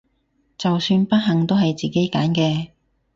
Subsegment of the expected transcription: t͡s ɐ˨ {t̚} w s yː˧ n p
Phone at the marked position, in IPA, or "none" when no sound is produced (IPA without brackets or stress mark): none